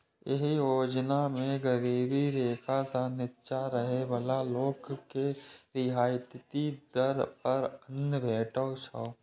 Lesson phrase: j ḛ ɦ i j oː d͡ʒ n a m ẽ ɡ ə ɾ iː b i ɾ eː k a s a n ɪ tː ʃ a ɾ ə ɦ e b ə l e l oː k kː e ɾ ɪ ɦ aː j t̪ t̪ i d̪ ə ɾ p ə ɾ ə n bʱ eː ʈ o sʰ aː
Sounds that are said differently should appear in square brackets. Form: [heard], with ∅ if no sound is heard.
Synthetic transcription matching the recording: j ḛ ɦ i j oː d͡ʒ n a m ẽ ɡ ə ɾ iː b i ɾ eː [kʰ] a s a n ɪ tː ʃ a ɾ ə ɦ e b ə l [a] l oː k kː e ɾ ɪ ɦ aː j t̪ t̪ i d̪ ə ɾ p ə ɾ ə n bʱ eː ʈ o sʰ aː

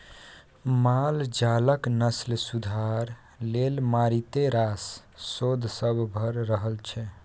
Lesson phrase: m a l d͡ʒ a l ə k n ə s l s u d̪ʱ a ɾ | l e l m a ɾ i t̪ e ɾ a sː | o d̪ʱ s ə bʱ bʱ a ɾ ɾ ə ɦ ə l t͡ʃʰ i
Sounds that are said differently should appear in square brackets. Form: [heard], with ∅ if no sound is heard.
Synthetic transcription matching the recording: m a l d͡ʒ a l ə k n ə s l s u d̪ʱ a ɾ | l e l m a ɾ i t̪ e ɾ a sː | o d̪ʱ s ə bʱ bʱ [ə] ɾ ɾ ə ɦ ə l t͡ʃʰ [ɛ]

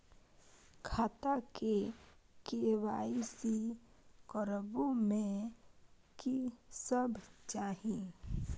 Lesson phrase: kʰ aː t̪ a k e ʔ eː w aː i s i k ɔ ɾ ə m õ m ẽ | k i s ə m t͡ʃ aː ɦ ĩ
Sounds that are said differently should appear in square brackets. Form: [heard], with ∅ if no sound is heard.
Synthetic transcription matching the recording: kʰ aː t̪ a k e [k] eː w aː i s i k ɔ ɾ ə [b] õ m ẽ | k i s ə [b] t͡ʃ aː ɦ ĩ

